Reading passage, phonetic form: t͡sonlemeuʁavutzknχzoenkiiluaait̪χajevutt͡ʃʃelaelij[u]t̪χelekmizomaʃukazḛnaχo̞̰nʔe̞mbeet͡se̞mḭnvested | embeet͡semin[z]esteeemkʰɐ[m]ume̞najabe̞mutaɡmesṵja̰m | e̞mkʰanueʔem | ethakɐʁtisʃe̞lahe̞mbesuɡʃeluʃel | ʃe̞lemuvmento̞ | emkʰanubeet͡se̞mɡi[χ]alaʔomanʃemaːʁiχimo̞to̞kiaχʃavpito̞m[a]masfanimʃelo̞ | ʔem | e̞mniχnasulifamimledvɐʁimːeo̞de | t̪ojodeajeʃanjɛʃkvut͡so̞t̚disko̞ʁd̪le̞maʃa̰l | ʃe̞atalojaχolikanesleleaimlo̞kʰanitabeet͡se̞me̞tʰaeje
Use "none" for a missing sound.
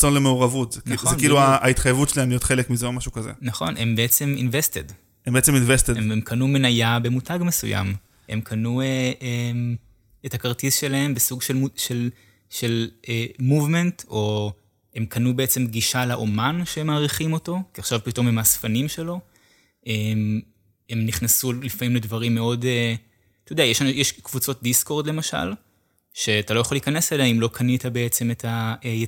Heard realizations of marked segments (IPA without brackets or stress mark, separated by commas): o, v, n, ʃ, e